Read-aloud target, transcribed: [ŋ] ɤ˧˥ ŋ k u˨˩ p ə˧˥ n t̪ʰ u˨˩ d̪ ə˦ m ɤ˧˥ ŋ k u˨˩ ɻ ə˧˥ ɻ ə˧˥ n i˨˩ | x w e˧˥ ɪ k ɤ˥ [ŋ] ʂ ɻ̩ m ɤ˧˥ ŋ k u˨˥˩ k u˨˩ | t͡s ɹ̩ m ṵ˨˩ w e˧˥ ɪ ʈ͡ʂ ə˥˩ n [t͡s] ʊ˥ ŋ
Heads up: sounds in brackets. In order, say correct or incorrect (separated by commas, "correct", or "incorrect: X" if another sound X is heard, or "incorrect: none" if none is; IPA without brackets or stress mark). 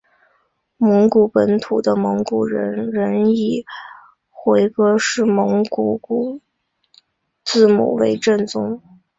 incorrect: m, incorrect: none, correct